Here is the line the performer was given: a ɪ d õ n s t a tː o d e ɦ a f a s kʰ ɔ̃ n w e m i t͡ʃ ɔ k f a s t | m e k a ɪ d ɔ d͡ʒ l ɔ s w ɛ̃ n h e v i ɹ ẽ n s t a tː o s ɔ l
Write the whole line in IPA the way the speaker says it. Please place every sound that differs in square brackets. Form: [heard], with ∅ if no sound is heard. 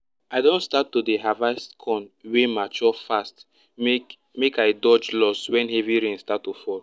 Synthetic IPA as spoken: a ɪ d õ n s t a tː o d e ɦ a [v] a s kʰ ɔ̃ n w e m [a] t͡ʃ ɔ [∅] f a s t | m e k a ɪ d ɔ d͡ʒ l ɔ s w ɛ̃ n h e v i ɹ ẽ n s t a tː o [f] ɔ l